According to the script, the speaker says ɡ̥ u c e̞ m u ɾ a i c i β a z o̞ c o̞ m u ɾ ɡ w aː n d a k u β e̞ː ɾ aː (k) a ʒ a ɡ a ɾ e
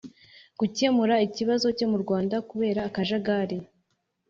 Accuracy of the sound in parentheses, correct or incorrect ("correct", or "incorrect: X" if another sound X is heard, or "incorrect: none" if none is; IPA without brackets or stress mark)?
correct